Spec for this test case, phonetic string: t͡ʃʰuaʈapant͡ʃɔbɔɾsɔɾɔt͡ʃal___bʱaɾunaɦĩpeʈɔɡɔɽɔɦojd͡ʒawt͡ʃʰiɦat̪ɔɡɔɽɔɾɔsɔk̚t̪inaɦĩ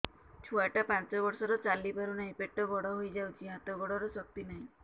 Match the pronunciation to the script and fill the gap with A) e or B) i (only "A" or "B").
B